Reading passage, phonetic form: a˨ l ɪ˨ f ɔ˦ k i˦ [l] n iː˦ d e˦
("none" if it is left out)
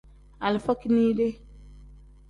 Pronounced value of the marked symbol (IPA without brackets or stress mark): none